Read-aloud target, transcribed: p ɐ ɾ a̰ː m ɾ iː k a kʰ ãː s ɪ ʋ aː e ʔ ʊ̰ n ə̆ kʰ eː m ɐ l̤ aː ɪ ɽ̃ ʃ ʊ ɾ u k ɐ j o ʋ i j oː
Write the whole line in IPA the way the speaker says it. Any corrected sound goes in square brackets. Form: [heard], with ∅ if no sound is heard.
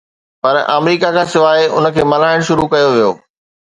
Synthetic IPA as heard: p ɐ ɾ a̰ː m ɾ iː k a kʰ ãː s ɪ ʋ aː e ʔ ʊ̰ n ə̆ kʰ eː m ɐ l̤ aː ɪ ɽ̃ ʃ ʊ ɾ u k ɐ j o ʋ i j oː